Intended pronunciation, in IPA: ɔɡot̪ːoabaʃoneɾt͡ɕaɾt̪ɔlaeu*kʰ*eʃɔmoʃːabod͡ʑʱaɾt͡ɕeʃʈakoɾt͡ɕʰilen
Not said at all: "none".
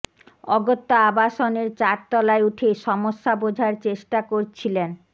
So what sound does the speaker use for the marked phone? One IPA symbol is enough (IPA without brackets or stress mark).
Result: ʈʰ